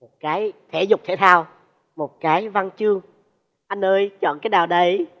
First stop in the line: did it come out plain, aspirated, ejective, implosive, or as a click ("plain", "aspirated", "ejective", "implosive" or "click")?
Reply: plain